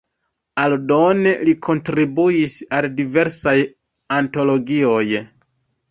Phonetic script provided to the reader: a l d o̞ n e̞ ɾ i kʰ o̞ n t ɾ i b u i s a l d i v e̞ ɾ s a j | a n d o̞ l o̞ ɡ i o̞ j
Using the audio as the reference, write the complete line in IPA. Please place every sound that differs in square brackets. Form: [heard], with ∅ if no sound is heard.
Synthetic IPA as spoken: a l d o̞ n e̞ [l] i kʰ o̞ n t ɾ i b u i s a l d i v e̞ ɾ s a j | a n [t] o̞ l o̞ ɡ i o̞ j